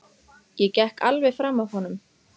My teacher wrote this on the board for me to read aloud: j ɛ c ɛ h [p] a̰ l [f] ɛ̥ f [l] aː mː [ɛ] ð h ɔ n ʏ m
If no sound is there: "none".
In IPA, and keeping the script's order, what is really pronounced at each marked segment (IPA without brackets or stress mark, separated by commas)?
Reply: k, v, ɾ, a